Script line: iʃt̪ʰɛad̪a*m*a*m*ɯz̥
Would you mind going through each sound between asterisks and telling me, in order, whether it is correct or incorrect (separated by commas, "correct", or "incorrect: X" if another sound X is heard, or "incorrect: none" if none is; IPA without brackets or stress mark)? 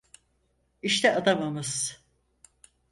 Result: correct, correct